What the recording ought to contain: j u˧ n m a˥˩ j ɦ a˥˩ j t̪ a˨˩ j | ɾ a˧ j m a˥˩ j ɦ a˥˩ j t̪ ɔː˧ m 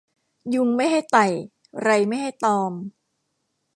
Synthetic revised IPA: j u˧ ŋ m a˥˩ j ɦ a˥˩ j t̪ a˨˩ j | ɾ a˧ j m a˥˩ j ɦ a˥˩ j t̪ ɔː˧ m